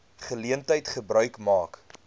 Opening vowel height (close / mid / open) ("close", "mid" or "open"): mid